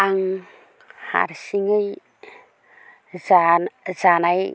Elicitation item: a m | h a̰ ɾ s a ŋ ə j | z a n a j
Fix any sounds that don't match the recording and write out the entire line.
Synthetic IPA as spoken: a ŋ | h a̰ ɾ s i ŋ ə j | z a n a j